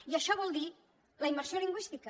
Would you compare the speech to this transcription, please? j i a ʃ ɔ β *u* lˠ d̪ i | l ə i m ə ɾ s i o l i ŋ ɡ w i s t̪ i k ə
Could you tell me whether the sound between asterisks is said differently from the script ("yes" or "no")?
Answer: yes